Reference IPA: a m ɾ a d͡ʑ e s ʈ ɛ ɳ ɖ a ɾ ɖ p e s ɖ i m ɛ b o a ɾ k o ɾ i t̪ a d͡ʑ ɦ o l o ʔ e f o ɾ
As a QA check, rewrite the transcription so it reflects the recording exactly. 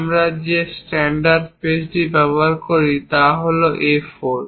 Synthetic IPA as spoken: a m ɾ a d͡ʑ e s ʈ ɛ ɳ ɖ a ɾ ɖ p e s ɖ i b ɛ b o a ɾ k o ɾ i t̪ a ɦ o l o ʔ e f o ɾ